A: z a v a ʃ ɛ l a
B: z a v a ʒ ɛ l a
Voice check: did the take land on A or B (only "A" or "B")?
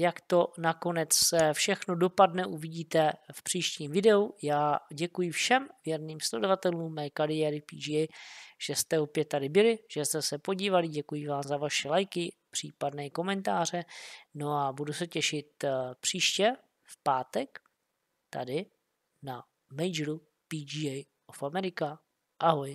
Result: A